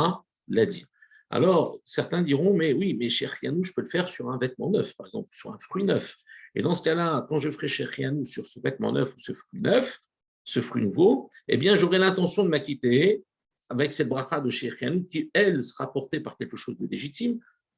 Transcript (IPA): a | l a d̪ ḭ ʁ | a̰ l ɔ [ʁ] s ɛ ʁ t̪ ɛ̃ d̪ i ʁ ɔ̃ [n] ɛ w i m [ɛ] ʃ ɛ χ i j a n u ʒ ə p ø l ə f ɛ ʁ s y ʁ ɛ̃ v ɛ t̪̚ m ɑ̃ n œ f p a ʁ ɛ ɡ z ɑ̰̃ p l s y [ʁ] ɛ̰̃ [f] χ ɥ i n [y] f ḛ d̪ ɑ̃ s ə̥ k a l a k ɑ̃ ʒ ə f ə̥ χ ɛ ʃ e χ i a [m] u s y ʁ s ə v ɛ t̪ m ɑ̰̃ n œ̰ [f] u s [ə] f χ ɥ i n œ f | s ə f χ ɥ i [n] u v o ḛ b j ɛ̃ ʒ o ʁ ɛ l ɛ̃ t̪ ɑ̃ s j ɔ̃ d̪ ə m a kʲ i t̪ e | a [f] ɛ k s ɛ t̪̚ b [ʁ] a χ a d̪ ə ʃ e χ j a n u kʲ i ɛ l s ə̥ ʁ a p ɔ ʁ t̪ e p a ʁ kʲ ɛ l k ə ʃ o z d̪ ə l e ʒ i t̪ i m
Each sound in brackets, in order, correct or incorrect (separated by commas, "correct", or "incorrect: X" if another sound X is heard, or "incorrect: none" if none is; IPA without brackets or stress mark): correct, incorrect: m, correct, correct, correct, incorrect: œ, incorrect: n, correct, correct, correct, incorrect: v, correct